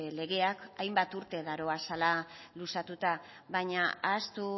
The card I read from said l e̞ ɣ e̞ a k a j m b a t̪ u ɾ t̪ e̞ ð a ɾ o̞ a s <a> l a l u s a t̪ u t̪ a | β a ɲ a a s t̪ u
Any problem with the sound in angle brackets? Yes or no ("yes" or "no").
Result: no